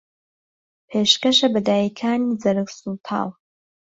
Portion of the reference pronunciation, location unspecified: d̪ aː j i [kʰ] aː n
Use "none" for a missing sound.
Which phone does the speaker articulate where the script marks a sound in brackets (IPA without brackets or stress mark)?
kʰ